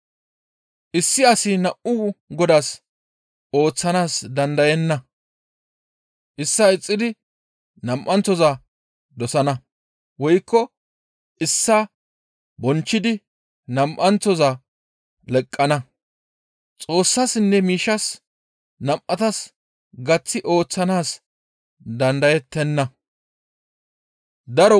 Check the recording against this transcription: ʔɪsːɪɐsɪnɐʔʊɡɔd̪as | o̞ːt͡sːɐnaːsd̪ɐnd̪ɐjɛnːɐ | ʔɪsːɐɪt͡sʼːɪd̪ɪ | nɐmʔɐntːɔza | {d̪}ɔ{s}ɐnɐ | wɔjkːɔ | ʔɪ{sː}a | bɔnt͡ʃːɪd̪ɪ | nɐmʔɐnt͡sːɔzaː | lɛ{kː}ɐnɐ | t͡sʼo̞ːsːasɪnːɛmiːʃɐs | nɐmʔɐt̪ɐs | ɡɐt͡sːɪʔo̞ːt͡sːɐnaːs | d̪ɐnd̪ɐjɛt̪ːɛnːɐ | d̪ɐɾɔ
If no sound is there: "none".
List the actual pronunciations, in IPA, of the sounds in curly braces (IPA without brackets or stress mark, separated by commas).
d̪, s, sː, kʼː